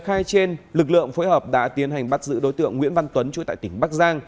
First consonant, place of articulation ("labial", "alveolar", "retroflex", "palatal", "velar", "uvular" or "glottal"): velar